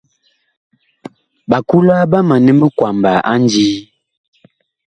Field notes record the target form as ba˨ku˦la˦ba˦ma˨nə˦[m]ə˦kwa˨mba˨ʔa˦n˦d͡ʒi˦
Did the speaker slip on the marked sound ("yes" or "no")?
no